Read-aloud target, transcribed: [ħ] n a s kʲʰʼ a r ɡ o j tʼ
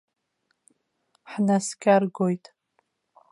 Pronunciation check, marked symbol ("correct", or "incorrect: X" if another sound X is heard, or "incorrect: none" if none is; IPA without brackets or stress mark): correct